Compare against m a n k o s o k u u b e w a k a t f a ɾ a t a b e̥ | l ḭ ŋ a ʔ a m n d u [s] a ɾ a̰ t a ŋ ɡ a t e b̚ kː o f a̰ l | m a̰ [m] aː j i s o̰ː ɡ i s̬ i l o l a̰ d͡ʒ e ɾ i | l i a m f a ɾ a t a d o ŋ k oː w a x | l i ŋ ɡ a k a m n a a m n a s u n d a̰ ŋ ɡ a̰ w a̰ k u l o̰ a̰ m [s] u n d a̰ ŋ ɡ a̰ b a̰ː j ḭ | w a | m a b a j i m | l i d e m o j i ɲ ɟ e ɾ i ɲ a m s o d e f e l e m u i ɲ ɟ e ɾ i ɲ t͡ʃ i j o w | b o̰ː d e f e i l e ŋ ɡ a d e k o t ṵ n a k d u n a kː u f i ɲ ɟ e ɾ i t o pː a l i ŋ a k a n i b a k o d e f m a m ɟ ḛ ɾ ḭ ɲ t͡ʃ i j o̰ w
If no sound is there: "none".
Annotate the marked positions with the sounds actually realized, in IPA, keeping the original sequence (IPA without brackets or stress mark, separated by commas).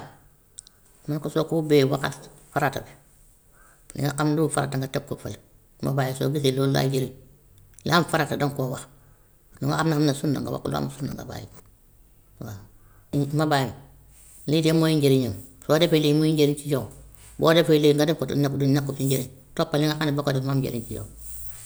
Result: f, b, s